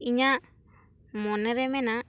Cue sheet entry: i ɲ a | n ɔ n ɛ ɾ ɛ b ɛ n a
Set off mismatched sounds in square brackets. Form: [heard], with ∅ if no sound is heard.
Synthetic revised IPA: i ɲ a | [m] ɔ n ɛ ɾ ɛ [m] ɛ n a

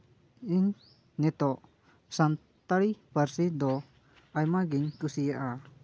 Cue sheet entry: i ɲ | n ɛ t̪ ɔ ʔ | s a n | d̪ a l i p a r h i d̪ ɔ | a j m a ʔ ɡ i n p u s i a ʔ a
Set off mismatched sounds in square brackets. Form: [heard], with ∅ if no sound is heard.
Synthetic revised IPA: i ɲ | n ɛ t̪ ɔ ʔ | s a n | [t̪] a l i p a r [s] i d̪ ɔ | a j m a [∅] ɡ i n [k] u s i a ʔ a

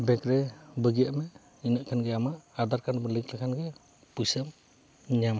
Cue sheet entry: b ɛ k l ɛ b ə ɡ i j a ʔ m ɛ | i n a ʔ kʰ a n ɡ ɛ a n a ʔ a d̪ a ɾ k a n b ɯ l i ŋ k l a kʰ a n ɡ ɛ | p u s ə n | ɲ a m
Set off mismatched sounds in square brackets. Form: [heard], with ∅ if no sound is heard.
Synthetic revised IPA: b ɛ k [ɾ] ɛ b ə ɡ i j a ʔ m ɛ | i n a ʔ kʰ a n ɡ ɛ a [m] a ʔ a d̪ a ɾ k a n b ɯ l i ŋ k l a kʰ a n ɡ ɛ | p u s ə [m] | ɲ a m

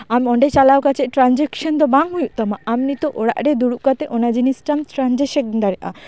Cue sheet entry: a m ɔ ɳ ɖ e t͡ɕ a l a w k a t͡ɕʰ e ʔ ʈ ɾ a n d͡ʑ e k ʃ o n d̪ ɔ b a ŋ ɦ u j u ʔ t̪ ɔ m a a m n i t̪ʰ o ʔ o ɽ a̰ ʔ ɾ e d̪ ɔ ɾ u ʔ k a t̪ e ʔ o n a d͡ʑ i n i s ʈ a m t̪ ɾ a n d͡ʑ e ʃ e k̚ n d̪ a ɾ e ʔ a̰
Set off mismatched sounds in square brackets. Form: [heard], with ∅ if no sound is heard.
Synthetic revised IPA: a m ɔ ɳ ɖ e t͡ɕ a l a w k a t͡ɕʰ e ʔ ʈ ɾ a n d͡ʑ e k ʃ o n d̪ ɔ b a ŋ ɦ u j u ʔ t̪ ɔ m a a m n i [t̪] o ʔ o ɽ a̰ ʔ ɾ e d̪ [u] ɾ u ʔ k a t̪ e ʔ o n a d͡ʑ i n i s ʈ a m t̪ ɾ a n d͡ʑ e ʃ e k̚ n d̪ a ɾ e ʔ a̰

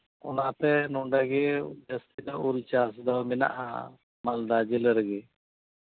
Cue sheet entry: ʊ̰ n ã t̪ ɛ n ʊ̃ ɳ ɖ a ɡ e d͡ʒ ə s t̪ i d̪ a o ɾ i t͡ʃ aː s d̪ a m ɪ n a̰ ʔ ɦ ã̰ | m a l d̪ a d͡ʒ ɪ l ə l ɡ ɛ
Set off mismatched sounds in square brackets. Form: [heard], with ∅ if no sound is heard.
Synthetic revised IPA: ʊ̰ n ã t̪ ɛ n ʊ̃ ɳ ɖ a ɡ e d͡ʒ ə s t̪ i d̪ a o ɾ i t͡ʃ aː s d̪ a m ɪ n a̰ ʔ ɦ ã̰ | m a l d̪ a d͡ʒ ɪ l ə [ɾ] ɡ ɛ

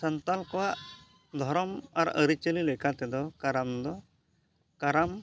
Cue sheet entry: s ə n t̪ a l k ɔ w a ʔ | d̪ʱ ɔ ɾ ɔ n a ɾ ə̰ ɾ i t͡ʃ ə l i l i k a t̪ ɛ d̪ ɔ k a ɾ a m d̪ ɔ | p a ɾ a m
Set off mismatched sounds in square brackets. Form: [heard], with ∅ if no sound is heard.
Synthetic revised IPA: s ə n t̪ a l k ɔ w a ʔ | d̪ʱ ɔ ɾ ɔ [m] a ɾ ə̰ ɾ i t͡ʃ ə l i l [ɛ] k a t̪ ɛ d̪ ɔ k a ɾ a m d̪ ɔ | [k] a ɾ a m

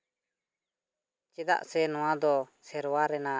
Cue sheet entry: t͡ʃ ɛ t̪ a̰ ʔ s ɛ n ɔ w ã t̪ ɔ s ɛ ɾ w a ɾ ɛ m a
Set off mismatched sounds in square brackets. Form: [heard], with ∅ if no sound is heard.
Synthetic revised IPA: t͡ʃ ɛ [d̪] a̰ ʔ s ɛ n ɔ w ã [d̪] ɔ s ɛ ɾ w a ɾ ɛ [n] a

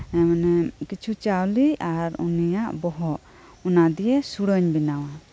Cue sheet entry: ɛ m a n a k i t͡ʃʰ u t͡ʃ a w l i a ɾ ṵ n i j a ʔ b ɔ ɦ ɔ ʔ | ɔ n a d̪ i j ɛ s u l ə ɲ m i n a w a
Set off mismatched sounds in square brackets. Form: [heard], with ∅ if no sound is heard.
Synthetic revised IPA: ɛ m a n [ɛ] k i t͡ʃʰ u t͡ʃ a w l i a ɾ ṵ n i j a ʔ b ɔ ɦ ɔ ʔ | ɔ n a d̪ i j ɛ s u [ɽ] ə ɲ [b] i n a w a

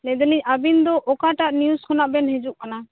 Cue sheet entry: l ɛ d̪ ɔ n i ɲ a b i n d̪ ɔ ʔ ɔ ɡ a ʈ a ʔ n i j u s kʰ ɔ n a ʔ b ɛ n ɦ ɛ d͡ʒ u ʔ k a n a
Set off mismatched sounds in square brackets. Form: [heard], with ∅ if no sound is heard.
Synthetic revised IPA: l ɛ d̪ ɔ n i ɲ a b i n d̪ ɔ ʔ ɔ [k] a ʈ a ʔ n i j u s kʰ ɔ n a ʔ b ɛ n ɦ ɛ d͡ʒ u ʔ k a n a

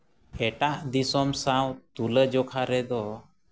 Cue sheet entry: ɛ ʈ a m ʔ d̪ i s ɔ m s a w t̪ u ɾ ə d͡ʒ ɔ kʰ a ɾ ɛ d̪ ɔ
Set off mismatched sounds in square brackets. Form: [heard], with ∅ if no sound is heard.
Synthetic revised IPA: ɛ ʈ a [∅] ʔ d̪ i s ɔ m s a w t̪ u [l] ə d͡ʒ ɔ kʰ a ɾ ɛ d̪ ɔ

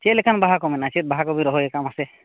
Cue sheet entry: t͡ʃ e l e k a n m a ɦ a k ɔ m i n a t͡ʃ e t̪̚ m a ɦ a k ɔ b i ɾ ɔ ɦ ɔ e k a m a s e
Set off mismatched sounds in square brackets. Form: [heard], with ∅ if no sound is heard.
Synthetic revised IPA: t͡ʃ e l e k a n [b] a ɦ a k ɔ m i n a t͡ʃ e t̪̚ [b] a ɦ a k ɔ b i ɾ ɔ ɦ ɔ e k a m a s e

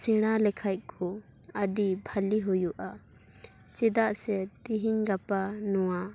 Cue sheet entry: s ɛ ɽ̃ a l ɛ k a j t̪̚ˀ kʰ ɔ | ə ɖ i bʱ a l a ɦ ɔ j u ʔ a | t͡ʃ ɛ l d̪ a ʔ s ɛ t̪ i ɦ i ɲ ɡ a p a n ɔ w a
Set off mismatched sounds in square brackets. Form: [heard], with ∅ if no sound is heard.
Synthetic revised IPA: s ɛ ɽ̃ a l ɛ [kʰ] a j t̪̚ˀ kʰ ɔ | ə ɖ i bʱ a l [i] ɦ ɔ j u ʔ a | t͡ʃ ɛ [∅] d̪ a ʔ s ɛ t̪ i ɦ i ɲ ɡ a p a n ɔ w a

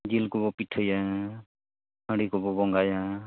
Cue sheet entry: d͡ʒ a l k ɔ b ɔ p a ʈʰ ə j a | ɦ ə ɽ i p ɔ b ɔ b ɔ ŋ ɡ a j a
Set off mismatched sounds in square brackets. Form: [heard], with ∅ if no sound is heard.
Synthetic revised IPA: d͡ʒ [i] l k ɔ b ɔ p [i] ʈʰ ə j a | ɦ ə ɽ i [k] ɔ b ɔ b ɔ ŋ ɡ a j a

